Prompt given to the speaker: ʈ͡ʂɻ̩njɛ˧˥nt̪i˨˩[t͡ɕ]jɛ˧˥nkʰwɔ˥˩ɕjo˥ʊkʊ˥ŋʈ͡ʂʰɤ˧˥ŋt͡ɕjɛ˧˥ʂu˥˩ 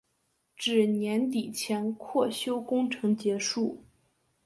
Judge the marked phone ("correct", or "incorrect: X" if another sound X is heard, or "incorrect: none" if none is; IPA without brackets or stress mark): incorrect: t͡ɕʰ